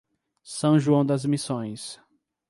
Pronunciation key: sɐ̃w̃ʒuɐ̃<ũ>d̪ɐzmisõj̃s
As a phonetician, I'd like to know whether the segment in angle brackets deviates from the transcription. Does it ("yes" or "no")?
yes